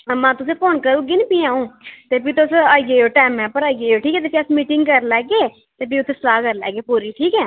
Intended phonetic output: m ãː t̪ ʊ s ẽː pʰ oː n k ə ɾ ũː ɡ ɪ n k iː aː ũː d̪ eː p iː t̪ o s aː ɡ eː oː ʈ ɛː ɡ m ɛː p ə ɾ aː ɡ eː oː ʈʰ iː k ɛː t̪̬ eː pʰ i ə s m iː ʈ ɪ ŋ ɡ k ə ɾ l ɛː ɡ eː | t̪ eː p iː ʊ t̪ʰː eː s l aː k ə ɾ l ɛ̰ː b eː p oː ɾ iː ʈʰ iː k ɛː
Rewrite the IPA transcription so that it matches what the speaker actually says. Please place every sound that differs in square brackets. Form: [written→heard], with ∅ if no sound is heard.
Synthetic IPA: m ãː t̪ ʊ s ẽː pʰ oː n k ə ɾ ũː ɡ ɪ n [k→p] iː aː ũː [d̪→t̪] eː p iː t̪ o s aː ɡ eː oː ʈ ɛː [ɡ→∅] m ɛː p ə ɾ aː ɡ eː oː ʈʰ iː k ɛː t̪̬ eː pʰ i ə s m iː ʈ ɪ ŋ ɡ k ə ɾ l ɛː ɡ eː | t̪ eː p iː ʊ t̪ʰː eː s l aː k ə ɾ l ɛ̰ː [b→ɡ] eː p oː ɾ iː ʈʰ iː k ɛː